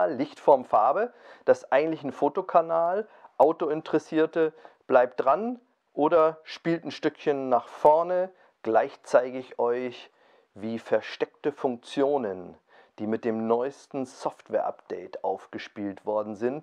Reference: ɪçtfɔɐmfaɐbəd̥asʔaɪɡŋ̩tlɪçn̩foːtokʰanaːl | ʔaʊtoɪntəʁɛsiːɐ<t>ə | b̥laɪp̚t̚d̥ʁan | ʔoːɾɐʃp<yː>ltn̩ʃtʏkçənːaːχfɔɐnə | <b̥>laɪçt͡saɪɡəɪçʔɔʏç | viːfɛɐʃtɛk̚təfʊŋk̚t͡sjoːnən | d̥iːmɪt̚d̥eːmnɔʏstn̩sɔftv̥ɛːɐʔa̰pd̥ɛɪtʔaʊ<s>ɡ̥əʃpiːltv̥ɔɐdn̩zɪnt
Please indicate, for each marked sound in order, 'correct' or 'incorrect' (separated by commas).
correct, incorrect, incorrect, incorrect